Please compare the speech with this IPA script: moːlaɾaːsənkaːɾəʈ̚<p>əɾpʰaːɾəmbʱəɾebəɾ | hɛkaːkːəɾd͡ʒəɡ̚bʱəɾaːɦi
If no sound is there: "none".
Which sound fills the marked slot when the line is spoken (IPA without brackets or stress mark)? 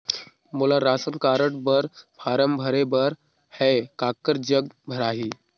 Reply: b